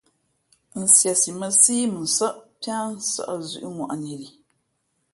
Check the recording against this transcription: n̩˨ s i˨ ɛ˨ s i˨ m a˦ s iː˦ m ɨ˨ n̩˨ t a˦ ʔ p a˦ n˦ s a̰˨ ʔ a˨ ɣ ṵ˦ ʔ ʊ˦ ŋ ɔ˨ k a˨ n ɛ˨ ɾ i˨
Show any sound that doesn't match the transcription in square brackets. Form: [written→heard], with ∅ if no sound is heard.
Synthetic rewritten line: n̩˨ s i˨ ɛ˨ s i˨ m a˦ s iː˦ m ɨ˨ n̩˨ [t→s] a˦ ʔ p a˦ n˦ s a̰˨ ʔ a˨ [ɣ→z] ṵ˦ ʔ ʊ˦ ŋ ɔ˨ [k→ʔ] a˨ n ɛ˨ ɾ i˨